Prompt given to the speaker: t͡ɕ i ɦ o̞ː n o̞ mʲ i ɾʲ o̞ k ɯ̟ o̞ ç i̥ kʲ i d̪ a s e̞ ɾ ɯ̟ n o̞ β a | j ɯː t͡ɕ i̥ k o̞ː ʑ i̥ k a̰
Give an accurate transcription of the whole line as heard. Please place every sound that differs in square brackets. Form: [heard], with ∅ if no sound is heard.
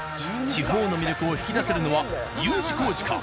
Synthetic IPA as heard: t͡ɕ i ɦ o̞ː n o̞ mʲ i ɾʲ o̞ k ɯ̟ o̞ ç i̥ kʲ i d̪ a s e̞ ɾ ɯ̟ n o̞ β a | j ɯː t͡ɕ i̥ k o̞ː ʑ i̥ k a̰